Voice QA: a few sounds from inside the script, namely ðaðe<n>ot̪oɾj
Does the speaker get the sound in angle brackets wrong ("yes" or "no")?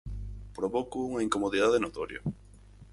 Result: no